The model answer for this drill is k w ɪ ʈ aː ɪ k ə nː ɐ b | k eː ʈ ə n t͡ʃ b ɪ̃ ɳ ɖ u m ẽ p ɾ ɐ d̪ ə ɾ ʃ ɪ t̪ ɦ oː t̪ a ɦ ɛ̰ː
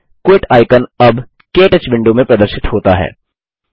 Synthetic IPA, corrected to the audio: k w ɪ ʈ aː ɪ k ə n ɐ b | k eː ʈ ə t͡ʃ b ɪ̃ ɳ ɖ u m ẽ p ɾ ɐ d̪ ə ɾ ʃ ɪ t̪ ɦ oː t̪ a ɦ ɛ̰ː